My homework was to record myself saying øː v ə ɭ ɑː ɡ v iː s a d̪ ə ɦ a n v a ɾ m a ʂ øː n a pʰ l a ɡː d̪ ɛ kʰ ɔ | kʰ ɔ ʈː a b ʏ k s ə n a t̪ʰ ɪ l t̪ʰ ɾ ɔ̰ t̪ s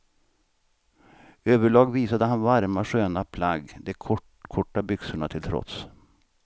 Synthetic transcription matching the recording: øː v ə ɭ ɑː ɡ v iː s a d̪ ə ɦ a n v a ɾ m a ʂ øː n a pʰ l a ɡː d̪ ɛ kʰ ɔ | kʰ ɔ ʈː a b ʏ k s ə ɳ a t̪ʰ ɪ l t̪ʰ ɾ ɔ̰ t̪ s